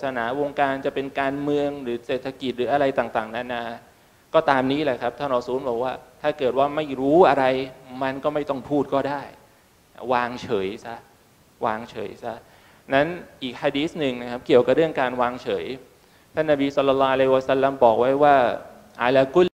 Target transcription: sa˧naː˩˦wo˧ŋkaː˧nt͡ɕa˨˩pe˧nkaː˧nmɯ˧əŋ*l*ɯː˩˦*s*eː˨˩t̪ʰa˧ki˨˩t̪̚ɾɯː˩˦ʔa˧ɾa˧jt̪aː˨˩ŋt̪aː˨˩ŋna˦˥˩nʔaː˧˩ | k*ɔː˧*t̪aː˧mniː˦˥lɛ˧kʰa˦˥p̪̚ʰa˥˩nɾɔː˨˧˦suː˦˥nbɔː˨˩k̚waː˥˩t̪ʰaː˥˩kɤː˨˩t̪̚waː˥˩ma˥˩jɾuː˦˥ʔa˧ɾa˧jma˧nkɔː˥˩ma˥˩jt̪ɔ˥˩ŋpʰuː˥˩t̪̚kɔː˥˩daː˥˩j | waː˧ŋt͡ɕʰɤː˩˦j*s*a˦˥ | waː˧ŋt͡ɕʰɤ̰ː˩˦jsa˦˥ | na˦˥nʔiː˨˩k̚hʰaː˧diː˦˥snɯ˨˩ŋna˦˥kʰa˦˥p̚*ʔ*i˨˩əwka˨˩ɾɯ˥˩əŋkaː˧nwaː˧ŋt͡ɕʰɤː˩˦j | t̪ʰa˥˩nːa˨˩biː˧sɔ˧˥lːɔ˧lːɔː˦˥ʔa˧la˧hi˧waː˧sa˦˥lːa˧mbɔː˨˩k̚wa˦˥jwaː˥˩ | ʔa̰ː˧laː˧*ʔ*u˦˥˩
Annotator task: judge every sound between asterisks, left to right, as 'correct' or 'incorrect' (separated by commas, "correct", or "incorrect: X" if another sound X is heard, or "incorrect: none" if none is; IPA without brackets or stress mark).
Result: incorrect: ɾ, correct, incorrect: ɔː˥˩, correct, incorrect: k, incorrect: k